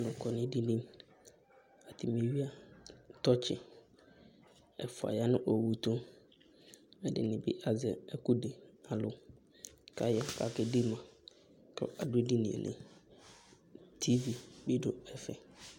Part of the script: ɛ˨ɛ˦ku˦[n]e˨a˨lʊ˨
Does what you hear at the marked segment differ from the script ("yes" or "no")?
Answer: yes